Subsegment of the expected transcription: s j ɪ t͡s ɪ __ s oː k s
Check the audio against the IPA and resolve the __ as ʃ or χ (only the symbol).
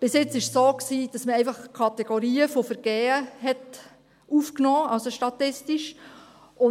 ʃ